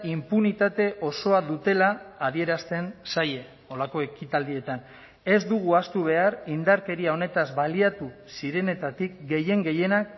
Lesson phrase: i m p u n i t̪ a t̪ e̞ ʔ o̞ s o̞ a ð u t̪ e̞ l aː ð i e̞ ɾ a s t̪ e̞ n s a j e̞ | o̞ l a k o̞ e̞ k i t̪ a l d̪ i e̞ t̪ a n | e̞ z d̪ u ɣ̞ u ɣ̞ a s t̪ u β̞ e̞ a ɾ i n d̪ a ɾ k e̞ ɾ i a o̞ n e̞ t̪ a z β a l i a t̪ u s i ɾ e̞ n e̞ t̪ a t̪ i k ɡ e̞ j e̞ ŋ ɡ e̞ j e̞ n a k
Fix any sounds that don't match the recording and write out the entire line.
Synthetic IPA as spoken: i m p u n i t̪ a t̪ e̞ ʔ o̞ s o̞ a ð u t̪ e̞ l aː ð i e̞ ɾ a s t̪ e̞ n s a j e̞ | o̞ l a k o̞ e̞ k i t̪ a l d̪ i e̞ t̪ a n | e̞ z d̪ u ɣ̞ u a s t̪ u β̞ e̞ a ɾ i n d̪ a ɾ k e̞ ɾ i a o̞ n e̞ t̪ a z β a l i a t̪ u s i ɾ e̞ n e̞ t̪ a t̪ i k ɡ e̞ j e̞ ŋ ɡ e̞ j e̞ n a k